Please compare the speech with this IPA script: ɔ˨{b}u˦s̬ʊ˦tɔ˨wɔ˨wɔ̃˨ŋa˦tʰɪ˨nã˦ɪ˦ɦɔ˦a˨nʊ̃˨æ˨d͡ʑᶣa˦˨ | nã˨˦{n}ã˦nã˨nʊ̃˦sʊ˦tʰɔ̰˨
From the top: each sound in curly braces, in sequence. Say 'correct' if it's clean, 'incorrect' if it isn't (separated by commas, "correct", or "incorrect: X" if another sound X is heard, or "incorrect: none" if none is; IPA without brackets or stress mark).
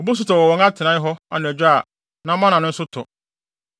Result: correct, incorrect: m